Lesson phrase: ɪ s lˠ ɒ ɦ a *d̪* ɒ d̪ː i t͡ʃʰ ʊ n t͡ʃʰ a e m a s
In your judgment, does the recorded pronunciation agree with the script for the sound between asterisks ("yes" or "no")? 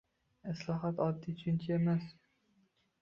no